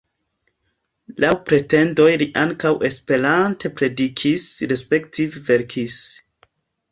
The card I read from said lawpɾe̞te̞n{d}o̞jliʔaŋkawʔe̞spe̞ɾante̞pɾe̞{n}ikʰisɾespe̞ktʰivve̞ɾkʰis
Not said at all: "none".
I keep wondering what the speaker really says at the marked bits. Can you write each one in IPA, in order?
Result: d, d

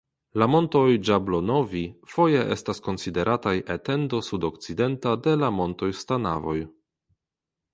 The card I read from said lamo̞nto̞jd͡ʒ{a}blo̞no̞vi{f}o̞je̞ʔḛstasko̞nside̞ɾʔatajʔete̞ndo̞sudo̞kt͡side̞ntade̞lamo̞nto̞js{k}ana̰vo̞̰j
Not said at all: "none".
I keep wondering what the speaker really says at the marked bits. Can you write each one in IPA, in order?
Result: a, f, t

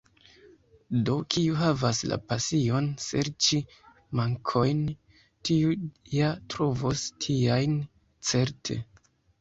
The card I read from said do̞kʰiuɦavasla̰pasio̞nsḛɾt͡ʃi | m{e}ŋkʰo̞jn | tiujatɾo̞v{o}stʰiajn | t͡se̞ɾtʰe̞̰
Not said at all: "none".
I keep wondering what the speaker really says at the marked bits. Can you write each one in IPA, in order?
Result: a, o

